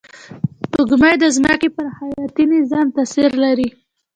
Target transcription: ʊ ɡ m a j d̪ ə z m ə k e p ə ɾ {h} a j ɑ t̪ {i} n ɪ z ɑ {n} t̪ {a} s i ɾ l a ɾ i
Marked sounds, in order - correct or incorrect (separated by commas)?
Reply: correct, correct, incorrect, correct